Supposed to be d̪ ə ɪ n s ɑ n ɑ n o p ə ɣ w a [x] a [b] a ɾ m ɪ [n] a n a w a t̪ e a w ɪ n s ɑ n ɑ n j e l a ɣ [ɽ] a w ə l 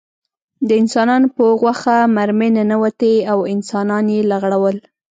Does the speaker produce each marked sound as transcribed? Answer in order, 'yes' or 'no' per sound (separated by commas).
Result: yes, no, yes, yes